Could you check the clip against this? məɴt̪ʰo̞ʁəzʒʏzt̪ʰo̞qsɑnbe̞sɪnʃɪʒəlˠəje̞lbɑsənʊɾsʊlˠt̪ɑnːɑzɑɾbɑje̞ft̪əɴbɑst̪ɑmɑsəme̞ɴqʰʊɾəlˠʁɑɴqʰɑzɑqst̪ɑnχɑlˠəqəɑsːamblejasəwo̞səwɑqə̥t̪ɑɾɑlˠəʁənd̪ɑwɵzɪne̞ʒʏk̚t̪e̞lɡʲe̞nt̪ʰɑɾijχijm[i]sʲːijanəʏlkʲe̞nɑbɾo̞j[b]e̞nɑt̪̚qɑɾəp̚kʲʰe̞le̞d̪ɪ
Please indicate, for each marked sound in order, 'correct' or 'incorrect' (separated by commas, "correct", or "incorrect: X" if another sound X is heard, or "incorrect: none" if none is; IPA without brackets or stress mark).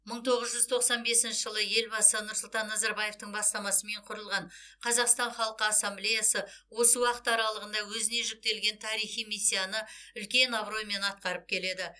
correct, incorrect: m